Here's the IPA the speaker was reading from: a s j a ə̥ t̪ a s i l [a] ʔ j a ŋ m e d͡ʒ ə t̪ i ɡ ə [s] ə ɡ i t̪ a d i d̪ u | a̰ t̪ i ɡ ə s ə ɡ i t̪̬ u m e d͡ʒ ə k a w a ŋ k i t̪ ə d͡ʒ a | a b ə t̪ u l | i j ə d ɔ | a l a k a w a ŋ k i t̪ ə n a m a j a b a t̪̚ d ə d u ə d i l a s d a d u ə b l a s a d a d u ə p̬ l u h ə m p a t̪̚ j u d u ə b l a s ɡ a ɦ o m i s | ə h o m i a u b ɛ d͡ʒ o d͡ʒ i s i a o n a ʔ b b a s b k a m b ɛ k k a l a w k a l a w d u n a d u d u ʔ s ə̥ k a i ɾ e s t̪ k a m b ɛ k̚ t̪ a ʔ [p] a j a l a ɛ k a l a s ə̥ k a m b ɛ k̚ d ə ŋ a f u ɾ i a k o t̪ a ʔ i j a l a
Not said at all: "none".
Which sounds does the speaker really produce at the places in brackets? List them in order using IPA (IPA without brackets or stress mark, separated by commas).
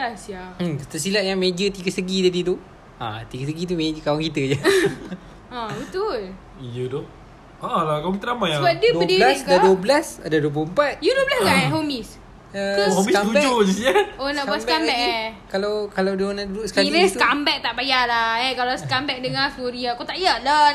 a, s, b